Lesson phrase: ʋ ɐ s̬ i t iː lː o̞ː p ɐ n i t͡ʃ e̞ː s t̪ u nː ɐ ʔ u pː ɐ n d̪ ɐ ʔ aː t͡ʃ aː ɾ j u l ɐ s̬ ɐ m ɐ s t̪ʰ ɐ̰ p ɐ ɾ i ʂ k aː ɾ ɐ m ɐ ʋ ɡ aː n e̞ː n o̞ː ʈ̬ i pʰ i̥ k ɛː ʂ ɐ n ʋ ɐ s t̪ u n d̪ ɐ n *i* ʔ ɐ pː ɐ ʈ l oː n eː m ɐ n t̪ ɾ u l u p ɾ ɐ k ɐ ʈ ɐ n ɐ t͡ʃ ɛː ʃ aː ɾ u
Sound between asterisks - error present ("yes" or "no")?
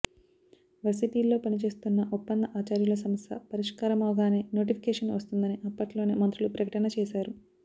no